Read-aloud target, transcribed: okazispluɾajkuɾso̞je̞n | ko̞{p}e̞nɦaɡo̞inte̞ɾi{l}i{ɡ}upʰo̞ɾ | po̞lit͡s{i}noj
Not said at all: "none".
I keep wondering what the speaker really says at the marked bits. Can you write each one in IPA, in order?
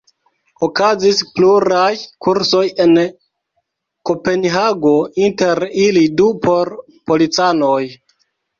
p, l, d, a

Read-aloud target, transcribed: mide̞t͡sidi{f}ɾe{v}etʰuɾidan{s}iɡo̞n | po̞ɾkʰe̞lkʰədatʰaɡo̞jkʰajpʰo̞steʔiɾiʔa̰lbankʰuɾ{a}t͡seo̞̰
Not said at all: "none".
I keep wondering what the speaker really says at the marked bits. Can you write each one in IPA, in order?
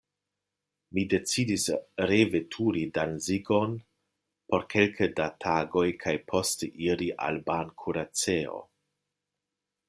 s, v, z, a

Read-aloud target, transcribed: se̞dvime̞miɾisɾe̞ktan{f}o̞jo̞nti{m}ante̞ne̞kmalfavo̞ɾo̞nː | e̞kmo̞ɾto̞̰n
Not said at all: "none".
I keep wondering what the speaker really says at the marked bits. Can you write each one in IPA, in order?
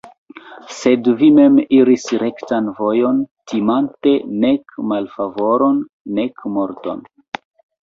v, m

